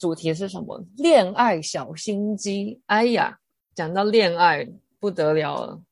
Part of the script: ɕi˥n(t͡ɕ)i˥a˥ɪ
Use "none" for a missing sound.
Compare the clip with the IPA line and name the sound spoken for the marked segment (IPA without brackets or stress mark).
t͡ɕ